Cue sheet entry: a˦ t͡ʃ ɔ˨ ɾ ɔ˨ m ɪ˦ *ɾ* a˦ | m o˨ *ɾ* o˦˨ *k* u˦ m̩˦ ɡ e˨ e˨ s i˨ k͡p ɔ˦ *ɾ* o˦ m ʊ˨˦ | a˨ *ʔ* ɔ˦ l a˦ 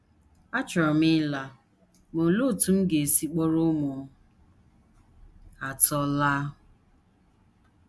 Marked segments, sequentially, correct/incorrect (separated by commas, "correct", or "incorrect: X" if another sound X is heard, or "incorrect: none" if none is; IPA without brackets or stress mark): incorrect: l, incorrect: l, incorrect: t, correct, incorrect: t